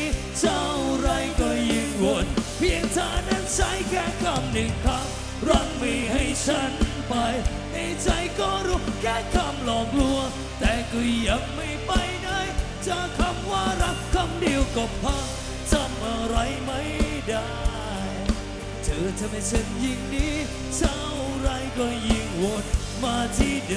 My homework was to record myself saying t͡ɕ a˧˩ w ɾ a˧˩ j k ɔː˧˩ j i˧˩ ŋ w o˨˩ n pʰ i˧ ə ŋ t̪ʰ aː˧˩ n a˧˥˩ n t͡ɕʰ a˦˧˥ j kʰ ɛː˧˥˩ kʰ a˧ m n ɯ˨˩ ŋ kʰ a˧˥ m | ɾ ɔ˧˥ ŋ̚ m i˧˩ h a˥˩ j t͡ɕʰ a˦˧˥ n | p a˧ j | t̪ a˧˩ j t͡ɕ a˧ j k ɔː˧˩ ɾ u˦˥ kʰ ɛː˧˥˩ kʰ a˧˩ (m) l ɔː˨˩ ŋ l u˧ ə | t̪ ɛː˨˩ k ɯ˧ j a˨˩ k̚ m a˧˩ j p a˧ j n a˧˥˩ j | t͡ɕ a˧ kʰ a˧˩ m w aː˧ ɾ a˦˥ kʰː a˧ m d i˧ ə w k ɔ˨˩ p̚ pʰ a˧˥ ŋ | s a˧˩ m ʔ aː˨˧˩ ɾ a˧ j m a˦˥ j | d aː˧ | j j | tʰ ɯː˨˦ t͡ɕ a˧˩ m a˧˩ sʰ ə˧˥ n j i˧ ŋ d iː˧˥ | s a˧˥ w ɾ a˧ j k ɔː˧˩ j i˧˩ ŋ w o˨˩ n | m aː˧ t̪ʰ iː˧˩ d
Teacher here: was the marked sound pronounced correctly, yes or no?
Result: yes